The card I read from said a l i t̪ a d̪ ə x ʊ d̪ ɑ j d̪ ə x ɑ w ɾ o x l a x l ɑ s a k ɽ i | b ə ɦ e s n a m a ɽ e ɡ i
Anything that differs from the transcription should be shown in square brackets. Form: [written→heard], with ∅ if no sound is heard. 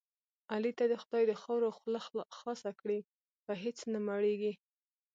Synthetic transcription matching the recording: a l i t̪ a d̪ ə x ʊ d̪ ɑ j d̪ ə x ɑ w ɾ o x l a x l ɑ s a k ɽ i | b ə ɦ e [s→t͡s] n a m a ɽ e ɡ i